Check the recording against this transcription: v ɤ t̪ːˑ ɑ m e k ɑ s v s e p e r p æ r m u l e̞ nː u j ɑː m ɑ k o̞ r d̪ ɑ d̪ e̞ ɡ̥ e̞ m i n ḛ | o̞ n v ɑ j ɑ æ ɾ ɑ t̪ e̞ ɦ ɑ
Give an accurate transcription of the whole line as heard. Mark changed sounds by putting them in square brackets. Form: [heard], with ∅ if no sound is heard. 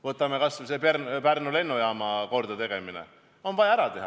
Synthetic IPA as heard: v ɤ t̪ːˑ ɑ m e k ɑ s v s e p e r p æ r [n] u l e̞ nː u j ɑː m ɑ k o̞ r d̪ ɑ [t̪] e̞ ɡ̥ e̞ m i n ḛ | o̞ n v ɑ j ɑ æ ɾ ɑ t̪ e̞ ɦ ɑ